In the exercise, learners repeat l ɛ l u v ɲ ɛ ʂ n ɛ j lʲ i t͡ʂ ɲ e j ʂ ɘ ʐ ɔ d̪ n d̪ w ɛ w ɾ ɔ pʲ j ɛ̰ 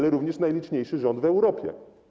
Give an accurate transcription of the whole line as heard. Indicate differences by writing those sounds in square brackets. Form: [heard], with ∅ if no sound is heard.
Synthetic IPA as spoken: l ɛ [ɾ] u v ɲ ɛ ʂ n [a] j lʲ i t͡ʂ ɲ e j ʂ ɘ ʐ ɔ [∅] n d̪ [v] ɛ w ɾ ɔ pʲ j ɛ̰